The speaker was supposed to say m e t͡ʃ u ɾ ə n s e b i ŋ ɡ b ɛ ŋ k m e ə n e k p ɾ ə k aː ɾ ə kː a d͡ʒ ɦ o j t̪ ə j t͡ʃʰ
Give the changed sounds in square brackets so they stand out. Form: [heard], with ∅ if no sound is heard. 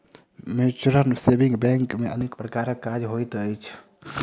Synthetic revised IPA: m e t͡ʃ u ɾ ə n s e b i ŋ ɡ b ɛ ŋ k m e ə n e k p ɾ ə k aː ɾ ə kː a d͡ʒ ɦ o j t̪ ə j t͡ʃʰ